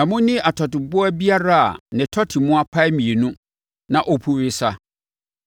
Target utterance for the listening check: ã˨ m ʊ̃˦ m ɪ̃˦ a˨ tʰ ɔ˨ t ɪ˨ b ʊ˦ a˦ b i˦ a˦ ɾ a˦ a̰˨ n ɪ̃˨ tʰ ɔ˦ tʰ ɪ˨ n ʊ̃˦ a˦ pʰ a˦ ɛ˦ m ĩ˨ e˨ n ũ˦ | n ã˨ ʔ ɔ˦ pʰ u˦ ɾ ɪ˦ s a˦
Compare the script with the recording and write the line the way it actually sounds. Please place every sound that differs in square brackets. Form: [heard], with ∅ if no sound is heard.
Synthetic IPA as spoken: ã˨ m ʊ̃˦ [n] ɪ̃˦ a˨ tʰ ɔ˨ t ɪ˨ b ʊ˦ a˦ b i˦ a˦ ɾ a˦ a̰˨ n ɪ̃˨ tʰ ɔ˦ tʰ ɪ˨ [m] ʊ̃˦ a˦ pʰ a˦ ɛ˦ m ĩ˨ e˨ n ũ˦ | n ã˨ ʔ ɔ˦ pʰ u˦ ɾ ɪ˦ s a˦